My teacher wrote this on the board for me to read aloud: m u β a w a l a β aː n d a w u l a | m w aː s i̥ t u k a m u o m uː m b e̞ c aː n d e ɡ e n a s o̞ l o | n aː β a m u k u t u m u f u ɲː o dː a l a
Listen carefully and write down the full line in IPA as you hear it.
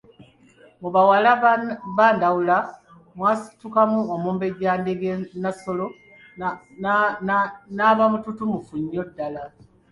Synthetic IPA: m u β a w a l a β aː n d a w u l a | m w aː s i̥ t u k a m u o m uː m b e̞ ɟ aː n d e ɡ e n a s o̞ l o | n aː β a m u t u t u m u f u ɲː o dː a l a